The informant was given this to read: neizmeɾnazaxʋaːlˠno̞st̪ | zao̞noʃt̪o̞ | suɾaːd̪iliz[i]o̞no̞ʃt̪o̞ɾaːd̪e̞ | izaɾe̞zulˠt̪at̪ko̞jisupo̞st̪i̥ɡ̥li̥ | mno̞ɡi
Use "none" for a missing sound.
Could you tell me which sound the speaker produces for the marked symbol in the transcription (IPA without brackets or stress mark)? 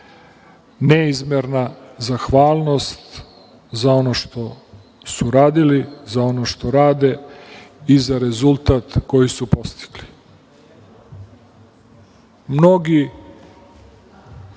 a